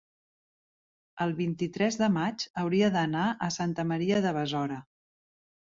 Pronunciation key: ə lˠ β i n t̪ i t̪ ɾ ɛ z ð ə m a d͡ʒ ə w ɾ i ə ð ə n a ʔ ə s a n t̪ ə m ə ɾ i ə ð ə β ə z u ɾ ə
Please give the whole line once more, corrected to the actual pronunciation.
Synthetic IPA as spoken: ə lˠ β i n t̪ i t̪ ɾ ɛ z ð ə m a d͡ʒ ə w ɾ i ə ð ə n a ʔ ə s a n t̪ ə m ə ɾ i ə ð ə β ə z ɔ ɾ ə